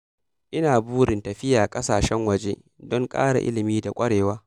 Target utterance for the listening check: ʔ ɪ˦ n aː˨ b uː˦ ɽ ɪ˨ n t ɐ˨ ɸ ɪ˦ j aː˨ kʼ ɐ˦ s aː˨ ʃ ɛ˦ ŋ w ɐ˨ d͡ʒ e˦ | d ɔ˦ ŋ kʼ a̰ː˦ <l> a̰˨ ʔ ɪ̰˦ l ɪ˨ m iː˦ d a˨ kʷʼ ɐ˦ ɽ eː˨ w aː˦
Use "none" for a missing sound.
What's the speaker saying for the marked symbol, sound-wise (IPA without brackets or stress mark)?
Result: ɽ